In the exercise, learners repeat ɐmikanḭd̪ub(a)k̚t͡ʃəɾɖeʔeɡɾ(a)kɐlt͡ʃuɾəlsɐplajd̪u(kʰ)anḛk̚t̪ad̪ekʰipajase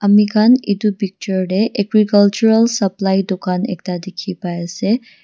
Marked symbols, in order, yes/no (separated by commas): no, no, no